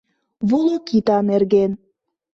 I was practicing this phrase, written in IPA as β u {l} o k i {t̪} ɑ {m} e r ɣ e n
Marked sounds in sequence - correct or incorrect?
correct, correct, incorrect: n

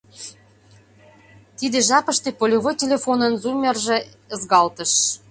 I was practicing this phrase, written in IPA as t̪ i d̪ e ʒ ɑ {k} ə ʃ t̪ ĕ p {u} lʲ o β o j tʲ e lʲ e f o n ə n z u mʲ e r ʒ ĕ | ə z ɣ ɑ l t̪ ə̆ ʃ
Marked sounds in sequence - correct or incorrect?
incorrect: p, incorrect: o

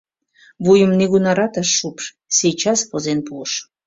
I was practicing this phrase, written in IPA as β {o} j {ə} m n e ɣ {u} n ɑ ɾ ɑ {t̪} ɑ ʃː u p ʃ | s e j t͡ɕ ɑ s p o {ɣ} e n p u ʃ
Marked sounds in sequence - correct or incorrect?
incorrect: u, correct, correct, correct, incorrect: z

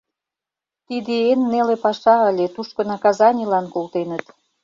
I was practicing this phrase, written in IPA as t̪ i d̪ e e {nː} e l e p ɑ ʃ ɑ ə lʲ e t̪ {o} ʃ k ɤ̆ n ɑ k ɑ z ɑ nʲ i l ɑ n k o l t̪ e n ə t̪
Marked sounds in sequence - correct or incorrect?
correct, incorrect: u

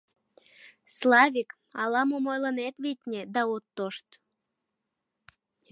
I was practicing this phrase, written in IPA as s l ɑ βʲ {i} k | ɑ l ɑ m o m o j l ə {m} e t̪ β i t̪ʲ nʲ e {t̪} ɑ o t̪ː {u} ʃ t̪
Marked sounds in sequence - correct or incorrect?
correct, incorrect: n, incorrect: d̪, incorrect: o

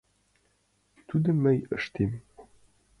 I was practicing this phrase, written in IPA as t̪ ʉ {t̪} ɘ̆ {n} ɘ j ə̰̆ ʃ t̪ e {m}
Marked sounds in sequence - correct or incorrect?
incorrect: d̪, incorrect: m, correct

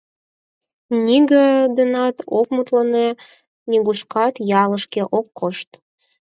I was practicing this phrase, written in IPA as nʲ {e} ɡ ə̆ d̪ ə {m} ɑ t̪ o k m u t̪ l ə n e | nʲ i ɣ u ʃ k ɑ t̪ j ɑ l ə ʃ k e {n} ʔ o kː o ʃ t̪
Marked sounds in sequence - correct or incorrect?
incorrect: i, incorrect: n, incorrect: none

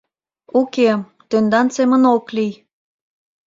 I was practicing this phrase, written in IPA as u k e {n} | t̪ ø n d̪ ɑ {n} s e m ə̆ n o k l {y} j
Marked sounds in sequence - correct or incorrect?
incorrect: none, correct, incorrect: i

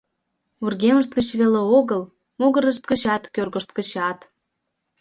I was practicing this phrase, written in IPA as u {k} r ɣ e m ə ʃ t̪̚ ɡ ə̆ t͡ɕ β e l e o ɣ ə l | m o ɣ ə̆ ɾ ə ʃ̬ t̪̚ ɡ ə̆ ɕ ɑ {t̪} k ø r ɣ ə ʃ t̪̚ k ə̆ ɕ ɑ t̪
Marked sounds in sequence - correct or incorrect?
incorrect: none, correct

